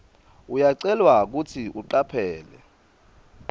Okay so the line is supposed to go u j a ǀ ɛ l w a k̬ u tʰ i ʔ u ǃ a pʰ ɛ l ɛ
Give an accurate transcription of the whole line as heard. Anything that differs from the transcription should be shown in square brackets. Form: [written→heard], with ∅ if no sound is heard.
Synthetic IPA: u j a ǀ ɛ l w a k̬ u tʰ i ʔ u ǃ a pʰ [ɛ→ɛː] l ɛ